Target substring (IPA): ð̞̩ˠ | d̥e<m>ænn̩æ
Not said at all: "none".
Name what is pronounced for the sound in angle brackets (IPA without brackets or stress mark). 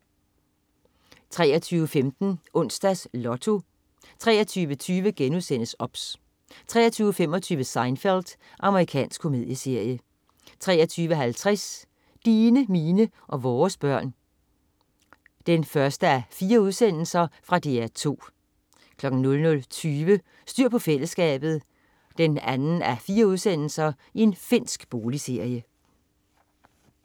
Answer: n